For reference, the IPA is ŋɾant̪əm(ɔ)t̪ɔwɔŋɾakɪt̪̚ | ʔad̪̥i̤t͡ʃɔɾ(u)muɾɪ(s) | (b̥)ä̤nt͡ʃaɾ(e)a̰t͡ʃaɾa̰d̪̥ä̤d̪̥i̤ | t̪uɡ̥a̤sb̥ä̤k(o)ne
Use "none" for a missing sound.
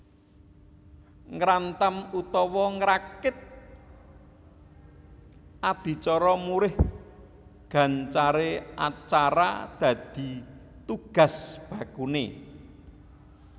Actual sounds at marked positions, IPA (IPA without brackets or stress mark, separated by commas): u, ɔ, h, ɡ̥, e, u